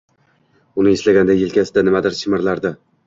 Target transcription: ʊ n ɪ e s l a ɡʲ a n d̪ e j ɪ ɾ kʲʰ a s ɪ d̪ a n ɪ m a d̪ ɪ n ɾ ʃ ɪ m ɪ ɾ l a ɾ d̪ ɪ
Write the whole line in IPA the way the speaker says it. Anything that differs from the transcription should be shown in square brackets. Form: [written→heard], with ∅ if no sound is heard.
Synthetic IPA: ʊ n ɪ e s l a ɡʲ a n d̪ [e→a] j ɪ [ɾ→l] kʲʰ a s ɪ d̪ a n ɪ m a d̪ ɪ [n→∅] ɾ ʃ ɪ m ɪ ɾ l a ɾ d̪ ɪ